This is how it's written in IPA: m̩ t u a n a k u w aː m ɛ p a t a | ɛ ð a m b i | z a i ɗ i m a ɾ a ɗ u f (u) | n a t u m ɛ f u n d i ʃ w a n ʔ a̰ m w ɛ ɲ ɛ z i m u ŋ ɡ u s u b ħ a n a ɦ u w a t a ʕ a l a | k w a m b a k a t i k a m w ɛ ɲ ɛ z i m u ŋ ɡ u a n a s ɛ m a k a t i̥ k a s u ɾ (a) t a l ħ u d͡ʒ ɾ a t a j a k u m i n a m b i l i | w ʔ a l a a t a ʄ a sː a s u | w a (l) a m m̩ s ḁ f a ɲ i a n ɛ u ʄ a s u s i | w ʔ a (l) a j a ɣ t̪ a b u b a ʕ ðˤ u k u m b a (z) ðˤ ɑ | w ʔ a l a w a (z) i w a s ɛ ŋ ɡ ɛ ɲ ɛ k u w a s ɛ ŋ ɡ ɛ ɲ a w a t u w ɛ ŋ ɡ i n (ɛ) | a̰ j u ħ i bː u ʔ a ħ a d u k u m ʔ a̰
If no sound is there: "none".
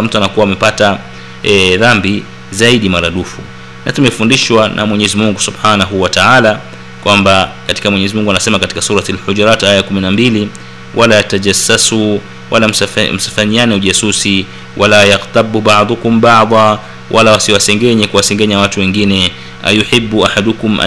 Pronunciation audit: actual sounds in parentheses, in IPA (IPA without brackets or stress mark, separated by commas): u, a, l, l, ʕ, s, ɛ